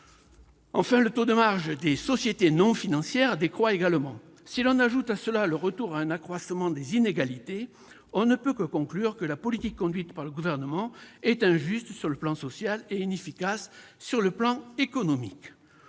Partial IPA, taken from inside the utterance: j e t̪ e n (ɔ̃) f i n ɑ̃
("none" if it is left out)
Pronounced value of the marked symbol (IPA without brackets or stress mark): ɔ̃